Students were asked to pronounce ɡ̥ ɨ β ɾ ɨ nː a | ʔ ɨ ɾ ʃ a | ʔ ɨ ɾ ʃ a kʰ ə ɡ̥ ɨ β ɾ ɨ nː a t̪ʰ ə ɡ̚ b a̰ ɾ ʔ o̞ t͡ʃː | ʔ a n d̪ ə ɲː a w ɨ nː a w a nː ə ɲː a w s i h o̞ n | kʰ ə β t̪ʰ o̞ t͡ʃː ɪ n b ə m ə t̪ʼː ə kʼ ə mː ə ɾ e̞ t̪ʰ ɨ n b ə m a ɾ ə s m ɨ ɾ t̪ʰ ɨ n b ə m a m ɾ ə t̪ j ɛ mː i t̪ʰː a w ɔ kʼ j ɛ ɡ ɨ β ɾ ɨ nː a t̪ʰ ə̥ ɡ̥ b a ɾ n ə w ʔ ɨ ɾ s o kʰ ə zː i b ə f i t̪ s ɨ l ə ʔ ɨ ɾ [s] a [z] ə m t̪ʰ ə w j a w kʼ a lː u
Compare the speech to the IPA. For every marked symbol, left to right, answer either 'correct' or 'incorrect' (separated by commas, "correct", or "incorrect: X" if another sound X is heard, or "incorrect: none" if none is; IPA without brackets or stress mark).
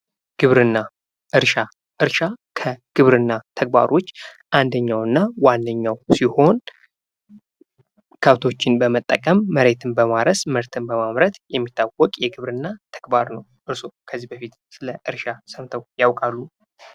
incorrect: ʃ, incorrect: s